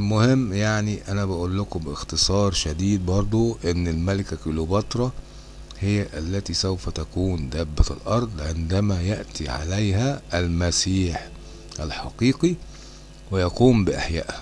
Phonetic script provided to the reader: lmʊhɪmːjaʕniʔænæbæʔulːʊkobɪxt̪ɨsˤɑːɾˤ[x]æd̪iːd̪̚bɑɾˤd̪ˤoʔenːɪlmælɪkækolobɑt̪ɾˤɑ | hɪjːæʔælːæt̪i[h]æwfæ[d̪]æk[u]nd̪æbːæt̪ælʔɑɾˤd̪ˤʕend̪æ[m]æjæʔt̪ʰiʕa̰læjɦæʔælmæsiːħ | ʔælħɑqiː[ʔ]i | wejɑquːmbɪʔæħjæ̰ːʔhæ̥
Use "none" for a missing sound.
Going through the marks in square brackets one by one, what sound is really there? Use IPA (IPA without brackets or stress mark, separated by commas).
ʃ, s, t̪, uː, m, q